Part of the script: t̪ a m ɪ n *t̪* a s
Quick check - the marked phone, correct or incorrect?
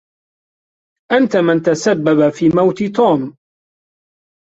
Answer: correct